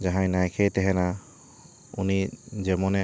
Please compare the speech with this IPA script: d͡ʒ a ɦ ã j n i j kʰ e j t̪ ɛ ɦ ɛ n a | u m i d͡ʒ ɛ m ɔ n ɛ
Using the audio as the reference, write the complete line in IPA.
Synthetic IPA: d͡ʒ a ɦ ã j n a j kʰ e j t̪ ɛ ɦ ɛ n a | u n i d͡ʒ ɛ m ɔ n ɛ